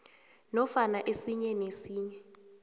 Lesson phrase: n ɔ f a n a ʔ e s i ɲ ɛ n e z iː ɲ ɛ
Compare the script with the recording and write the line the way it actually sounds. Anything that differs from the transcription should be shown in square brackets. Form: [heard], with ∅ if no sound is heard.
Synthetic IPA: n ɔ f a n a ʔ e s i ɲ ɛ n e [s] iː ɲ ɛ